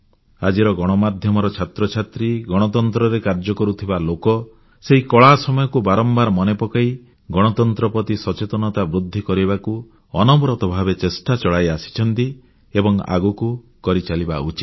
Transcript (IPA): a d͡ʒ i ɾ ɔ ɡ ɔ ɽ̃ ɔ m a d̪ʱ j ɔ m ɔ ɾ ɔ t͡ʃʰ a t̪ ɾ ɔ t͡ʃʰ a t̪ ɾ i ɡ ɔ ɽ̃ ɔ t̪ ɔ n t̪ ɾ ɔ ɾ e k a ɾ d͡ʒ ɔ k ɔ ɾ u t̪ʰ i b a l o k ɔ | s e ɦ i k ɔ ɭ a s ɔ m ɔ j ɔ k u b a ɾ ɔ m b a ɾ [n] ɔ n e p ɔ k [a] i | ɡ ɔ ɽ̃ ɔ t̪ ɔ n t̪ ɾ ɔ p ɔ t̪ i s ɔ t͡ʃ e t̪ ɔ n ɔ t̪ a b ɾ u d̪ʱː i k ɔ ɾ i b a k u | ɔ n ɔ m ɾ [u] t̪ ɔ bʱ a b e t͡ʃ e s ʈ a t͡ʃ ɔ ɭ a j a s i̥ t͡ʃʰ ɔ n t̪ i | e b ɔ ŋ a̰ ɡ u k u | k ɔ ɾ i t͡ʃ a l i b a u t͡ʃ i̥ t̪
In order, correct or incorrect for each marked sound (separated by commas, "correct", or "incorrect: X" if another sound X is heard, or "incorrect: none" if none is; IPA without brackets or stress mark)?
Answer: incorrect: m, correct, incorrect: ɔ